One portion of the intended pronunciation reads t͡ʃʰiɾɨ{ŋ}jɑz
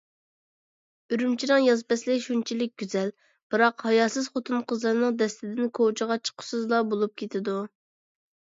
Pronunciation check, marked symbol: correct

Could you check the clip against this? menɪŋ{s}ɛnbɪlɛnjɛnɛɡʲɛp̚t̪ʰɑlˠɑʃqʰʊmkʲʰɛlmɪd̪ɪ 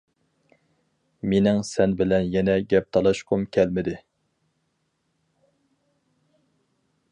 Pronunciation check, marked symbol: correct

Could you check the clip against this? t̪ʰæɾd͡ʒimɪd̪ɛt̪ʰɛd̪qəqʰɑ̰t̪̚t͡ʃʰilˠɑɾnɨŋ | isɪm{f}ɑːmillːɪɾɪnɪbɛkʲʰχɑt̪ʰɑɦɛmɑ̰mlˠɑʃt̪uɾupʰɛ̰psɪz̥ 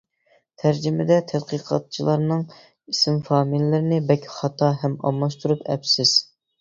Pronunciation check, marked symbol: correct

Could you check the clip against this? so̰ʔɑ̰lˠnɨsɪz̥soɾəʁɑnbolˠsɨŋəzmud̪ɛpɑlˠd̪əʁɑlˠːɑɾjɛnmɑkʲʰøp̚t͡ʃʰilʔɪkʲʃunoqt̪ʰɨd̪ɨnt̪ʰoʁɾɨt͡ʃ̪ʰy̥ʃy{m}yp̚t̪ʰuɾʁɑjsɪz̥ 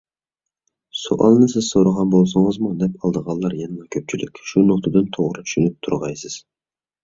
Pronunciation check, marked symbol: incorrect: n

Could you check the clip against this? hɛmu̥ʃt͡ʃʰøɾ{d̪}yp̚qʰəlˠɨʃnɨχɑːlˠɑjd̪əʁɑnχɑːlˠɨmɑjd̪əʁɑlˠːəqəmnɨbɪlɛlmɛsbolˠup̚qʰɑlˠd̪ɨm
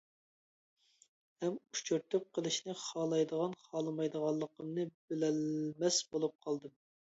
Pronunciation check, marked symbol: incorrect: t̪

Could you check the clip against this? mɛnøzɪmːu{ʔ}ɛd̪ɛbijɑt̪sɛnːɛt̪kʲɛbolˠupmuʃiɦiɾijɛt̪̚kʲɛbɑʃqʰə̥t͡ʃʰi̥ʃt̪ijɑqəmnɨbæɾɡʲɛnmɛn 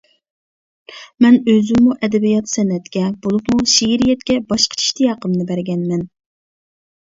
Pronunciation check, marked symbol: correct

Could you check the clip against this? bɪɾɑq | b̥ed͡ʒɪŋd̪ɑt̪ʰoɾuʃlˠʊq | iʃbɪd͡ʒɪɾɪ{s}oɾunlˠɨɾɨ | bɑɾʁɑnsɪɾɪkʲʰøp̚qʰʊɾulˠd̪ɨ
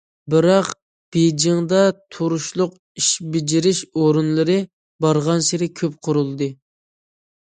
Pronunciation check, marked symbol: incorrect: ʃ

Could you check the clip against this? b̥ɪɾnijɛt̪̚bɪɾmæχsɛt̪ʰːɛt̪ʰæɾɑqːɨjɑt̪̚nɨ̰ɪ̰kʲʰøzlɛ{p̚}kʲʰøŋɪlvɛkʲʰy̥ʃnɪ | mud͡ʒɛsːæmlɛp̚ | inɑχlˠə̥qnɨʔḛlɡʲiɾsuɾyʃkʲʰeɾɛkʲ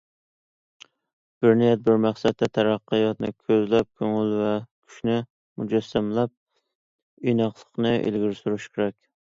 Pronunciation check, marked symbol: correct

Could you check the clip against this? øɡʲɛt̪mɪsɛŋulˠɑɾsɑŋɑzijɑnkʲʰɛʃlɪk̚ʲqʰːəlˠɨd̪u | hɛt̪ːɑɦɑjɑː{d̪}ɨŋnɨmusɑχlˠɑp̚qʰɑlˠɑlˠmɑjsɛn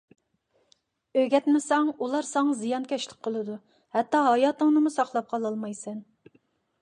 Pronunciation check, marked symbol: incorrect: t̪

